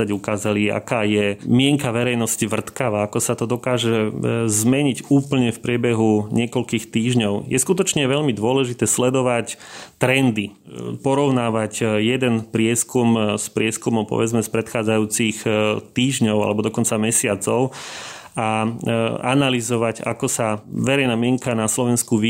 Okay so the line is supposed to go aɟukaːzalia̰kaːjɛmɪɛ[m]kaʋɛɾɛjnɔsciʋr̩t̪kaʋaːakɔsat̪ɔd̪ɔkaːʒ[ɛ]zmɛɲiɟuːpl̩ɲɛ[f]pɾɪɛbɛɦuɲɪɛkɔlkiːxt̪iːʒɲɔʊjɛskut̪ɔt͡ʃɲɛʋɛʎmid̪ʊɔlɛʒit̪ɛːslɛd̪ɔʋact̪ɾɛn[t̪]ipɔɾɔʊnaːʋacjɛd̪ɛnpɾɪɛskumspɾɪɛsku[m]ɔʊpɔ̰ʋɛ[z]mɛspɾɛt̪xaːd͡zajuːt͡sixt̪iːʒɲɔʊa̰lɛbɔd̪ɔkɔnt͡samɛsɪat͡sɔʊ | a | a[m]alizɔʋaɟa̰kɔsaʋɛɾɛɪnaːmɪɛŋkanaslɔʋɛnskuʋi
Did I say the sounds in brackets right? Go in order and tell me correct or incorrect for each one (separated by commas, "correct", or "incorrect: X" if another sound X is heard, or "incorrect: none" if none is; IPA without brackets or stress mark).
incorrect: ŋ, correct, correct, incorrect: d̪, correct, incorrect: d͡z, incorrect: n